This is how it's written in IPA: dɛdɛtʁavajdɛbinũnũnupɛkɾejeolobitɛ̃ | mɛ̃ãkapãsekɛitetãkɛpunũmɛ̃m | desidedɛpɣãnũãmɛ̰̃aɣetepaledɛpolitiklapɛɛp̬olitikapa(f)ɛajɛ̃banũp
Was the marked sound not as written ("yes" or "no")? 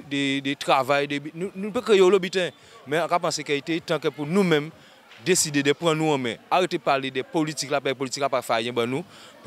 no